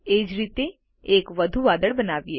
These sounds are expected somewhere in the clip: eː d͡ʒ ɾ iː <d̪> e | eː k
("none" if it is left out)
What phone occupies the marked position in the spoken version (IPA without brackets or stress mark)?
t̪